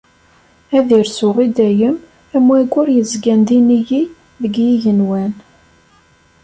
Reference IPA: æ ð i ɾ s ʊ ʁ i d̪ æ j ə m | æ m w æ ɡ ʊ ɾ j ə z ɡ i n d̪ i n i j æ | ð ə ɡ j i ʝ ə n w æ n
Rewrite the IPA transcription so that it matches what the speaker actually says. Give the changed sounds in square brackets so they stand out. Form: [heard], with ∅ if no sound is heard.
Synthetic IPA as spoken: æ ð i ɾ s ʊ ʁ i d̪ æ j ə m | æ m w æ ɡ ʊ ɾ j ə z ɡ [æ] n d̪ i n i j [i] | ð ə ɡ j i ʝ ə n w æ n